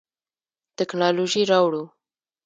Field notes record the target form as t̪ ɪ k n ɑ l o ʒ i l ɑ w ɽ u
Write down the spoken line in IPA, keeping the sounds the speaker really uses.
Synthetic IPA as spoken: t̪ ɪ k n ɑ l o ʒ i ɾ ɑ w ɽ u